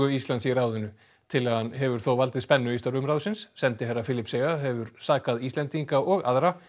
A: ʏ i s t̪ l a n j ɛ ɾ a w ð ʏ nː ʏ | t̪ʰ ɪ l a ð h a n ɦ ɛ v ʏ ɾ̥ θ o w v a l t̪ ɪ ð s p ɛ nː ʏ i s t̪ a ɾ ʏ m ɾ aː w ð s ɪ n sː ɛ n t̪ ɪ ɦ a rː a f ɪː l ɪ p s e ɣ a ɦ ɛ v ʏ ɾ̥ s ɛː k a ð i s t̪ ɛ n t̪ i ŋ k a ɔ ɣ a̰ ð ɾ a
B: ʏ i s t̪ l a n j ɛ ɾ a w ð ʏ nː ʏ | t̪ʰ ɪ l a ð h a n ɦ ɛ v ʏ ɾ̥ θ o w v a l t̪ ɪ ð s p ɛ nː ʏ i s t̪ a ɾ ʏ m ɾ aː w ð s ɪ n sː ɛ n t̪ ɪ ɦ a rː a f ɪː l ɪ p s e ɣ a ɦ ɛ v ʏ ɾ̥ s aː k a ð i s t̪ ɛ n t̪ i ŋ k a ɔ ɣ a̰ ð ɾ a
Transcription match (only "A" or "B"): B